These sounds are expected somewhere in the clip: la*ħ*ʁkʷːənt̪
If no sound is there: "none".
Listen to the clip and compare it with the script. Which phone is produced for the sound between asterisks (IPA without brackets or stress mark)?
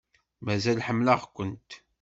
none